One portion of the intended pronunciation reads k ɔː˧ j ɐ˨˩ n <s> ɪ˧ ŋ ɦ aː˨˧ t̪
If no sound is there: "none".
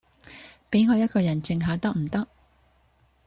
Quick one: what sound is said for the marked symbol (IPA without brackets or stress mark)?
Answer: t͡s